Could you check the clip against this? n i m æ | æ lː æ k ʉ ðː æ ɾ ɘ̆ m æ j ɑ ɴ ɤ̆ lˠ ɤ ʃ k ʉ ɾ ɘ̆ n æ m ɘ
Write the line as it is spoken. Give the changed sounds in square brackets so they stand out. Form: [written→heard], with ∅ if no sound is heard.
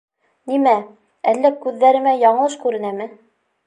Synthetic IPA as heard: n i m æ | æ lː æ k ʉ ðː æ ɾ ɘ̆ m æ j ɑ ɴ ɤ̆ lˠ ɤ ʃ k ʉ ɾ ɘ̆ n æ m ɘ